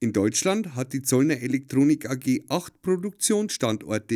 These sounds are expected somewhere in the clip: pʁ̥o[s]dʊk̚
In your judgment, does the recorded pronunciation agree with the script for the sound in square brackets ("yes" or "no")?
no